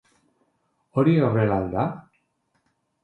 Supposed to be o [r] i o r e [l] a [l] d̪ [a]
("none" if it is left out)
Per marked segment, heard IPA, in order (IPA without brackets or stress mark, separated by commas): ɾ, l, l, a